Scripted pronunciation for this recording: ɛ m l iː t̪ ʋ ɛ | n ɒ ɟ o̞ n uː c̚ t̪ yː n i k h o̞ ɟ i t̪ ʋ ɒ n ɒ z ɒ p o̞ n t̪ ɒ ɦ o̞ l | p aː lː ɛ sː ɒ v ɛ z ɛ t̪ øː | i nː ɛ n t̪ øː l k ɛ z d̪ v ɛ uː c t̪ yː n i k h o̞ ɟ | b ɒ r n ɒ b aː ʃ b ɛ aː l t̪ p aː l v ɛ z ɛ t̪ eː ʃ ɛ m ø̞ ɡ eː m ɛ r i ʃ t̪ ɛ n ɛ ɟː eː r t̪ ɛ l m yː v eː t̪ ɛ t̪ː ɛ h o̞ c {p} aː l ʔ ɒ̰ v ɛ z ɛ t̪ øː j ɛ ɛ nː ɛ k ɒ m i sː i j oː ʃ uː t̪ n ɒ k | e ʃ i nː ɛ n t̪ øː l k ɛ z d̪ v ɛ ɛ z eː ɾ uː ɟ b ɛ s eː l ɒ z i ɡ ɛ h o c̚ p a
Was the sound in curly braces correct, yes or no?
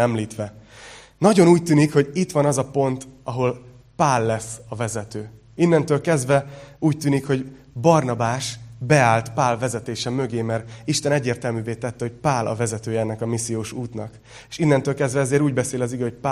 yes